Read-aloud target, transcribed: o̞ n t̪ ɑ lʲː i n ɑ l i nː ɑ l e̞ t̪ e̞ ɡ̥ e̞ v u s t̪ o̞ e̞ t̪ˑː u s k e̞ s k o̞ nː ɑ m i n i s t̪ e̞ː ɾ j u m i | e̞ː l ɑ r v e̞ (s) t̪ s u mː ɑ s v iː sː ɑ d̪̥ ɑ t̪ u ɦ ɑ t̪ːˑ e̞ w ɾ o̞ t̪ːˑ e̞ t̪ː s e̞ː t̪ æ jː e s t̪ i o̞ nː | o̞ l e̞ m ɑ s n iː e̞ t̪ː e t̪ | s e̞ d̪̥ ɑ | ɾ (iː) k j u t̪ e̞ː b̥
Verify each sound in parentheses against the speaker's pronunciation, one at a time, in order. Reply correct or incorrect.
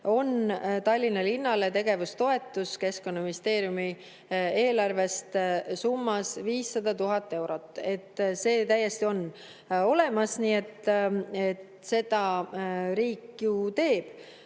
correct, correct

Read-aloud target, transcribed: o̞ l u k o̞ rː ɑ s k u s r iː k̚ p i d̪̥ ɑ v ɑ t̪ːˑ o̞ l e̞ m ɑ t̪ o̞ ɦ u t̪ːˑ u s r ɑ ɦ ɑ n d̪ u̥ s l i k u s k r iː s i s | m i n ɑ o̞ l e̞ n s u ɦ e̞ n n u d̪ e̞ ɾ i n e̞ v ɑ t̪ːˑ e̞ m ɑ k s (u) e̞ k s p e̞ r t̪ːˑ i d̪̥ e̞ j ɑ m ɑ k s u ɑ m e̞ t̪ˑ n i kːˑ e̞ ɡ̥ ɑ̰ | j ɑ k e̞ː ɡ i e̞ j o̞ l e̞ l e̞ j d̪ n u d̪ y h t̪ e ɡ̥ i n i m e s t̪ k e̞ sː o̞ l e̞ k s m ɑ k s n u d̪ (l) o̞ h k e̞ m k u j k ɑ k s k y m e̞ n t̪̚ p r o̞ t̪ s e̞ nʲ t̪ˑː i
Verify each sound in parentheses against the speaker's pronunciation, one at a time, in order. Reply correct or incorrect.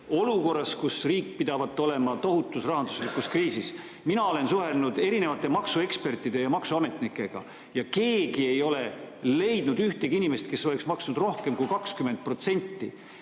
correct, incorrect

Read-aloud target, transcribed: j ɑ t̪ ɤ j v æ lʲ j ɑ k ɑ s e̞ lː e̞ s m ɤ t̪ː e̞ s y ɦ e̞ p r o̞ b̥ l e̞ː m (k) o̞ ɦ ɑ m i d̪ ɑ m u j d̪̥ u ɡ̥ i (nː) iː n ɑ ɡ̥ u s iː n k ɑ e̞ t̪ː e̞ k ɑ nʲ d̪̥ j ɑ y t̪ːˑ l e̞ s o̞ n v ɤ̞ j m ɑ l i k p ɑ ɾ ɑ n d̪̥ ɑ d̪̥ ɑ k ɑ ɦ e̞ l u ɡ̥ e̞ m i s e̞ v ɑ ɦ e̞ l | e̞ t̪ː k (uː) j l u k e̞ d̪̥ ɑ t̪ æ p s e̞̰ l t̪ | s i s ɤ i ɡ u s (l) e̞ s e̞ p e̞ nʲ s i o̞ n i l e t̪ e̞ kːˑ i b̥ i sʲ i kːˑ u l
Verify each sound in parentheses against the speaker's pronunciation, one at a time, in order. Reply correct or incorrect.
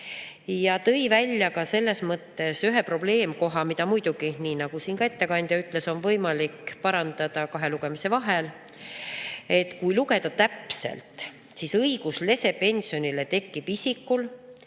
correct, incorrect, incorrect, correct

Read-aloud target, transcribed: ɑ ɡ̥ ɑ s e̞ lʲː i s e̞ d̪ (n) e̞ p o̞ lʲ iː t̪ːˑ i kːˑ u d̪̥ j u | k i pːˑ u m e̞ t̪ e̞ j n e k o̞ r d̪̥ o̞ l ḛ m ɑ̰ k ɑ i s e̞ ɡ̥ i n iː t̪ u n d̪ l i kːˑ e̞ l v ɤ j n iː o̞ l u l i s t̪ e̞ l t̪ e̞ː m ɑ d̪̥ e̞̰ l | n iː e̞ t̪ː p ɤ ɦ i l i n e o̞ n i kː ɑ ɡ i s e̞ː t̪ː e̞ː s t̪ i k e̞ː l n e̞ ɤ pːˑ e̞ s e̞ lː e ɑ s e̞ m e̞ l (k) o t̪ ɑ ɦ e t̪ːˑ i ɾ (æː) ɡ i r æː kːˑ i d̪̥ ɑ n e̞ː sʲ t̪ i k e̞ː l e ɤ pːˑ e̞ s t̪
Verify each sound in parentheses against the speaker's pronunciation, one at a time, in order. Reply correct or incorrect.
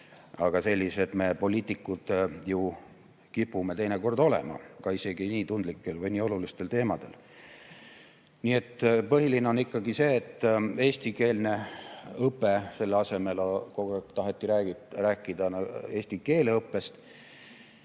incorrect, correct, correct

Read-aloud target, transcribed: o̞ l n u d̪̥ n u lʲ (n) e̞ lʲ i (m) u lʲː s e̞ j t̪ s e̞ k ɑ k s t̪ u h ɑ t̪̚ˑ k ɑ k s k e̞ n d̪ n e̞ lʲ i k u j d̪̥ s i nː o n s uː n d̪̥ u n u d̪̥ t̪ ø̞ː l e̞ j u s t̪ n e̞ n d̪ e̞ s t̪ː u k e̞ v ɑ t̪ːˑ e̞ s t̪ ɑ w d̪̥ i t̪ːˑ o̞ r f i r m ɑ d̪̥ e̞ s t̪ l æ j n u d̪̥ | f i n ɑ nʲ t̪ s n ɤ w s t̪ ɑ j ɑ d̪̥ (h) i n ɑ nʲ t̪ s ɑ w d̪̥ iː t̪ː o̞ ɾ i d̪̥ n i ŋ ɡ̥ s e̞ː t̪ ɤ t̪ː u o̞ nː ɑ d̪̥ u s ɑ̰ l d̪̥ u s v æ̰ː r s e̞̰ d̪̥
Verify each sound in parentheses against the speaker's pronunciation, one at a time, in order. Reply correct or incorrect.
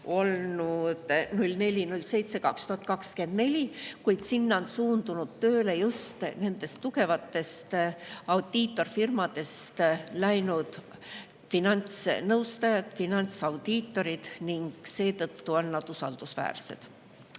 correct, incorrect, incorrect

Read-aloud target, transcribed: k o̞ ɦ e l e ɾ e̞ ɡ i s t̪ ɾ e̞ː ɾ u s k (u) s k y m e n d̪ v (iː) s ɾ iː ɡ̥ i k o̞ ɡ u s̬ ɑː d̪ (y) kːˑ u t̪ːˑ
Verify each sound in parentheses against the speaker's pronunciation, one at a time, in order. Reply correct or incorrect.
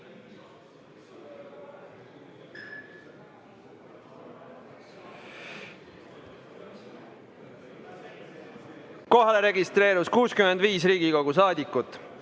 incorrect, correct, incorrect

